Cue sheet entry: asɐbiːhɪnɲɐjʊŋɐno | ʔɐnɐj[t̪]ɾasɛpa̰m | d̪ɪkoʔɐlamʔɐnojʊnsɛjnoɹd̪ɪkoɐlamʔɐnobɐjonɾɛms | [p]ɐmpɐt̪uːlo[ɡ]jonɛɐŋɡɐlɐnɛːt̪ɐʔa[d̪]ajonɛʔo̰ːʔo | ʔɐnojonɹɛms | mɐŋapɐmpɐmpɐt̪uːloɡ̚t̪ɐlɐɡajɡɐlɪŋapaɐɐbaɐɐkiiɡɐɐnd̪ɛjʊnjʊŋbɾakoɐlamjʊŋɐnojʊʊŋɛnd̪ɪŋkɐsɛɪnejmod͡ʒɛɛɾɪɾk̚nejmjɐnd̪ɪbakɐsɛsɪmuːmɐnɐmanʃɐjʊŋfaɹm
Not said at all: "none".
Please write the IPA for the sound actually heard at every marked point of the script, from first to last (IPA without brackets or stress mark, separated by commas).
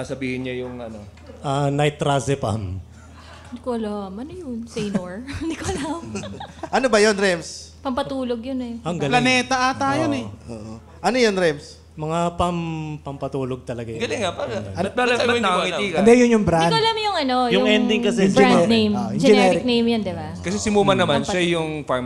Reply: t̪, p, ɡ, t̪